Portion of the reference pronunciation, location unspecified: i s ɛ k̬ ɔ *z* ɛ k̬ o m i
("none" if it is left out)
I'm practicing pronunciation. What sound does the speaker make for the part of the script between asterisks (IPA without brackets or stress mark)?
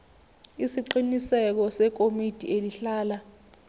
s